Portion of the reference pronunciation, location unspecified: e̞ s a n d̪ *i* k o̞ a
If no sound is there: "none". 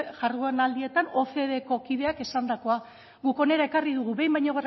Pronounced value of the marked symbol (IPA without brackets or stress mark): a